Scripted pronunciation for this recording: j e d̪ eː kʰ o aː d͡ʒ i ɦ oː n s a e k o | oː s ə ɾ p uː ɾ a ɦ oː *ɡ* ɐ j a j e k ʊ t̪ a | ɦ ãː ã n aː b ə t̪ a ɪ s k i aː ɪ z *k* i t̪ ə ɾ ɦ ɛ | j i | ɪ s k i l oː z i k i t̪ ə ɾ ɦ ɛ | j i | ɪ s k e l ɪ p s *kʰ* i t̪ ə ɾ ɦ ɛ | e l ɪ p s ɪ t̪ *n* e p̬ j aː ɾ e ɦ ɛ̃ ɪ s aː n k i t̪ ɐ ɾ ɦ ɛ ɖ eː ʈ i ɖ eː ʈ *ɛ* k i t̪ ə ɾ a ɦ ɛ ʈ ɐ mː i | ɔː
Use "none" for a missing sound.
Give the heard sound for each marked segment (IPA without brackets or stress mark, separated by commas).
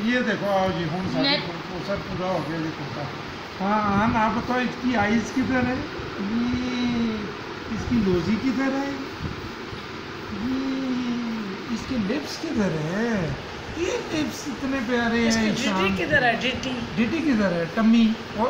ɡ, k, k, n, i